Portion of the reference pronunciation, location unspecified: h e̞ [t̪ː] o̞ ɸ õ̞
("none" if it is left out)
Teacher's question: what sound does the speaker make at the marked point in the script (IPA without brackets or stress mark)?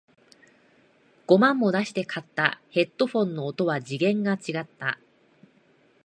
t̪ː